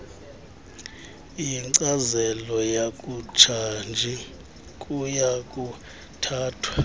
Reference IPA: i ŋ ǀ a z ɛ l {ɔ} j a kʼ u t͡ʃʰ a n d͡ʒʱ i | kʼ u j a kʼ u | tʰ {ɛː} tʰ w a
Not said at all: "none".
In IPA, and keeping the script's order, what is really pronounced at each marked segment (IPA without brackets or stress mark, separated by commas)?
ɔ, aː